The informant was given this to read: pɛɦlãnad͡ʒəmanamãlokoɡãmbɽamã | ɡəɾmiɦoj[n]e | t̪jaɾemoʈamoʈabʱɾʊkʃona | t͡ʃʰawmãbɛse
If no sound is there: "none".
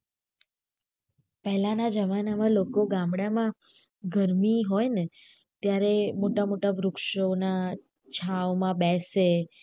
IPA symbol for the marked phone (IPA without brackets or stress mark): n